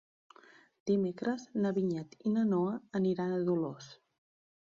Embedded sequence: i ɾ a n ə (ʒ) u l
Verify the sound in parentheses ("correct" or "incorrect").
incorrect